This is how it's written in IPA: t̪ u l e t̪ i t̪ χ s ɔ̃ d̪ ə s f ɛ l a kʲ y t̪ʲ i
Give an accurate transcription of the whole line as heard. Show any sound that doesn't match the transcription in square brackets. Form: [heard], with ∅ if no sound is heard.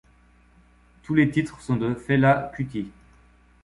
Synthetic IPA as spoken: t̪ u l e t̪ i t̪ χ s ɔ̃ d̪ ə [∅] f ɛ l a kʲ y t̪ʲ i